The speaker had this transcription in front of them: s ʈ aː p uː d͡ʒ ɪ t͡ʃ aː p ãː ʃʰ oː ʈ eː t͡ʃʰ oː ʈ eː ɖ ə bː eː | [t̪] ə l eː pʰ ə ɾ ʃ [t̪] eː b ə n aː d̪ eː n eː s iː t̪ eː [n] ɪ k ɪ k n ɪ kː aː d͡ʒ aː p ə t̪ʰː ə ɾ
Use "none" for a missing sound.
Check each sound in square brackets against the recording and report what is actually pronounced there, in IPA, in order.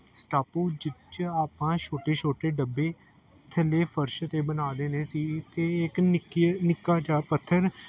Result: t̪ʰ, t̪, none

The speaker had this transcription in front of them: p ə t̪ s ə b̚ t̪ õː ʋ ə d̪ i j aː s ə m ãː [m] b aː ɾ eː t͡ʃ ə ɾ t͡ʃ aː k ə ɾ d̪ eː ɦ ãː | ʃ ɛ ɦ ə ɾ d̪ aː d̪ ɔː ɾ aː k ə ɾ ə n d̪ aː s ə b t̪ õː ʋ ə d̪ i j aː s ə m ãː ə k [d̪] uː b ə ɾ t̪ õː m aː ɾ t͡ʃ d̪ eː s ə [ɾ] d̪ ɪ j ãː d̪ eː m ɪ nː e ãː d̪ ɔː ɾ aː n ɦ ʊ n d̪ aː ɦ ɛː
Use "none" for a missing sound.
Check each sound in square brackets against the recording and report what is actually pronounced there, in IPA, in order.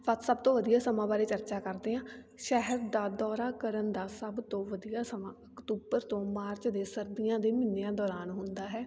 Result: none, t̪, ɾ

